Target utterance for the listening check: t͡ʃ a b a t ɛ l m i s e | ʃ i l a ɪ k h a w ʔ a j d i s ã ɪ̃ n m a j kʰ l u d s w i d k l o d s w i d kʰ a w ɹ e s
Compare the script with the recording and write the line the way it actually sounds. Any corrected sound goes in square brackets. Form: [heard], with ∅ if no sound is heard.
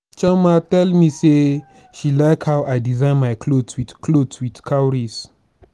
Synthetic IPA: t͡ʃ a [m] a t ɛ l m i s e | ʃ i l a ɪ k h a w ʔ a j d i [z] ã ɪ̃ n m a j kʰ l [o] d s w i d k l o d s w i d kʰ a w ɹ [i] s